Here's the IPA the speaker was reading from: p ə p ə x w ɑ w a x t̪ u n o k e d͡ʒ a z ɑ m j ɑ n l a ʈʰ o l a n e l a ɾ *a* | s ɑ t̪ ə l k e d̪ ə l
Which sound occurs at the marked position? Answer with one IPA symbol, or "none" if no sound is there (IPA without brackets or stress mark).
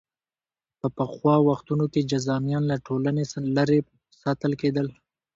e